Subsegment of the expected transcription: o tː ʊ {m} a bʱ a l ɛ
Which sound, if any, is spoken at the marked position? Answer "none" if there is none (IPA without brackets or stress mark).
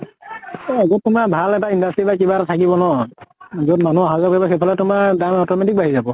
m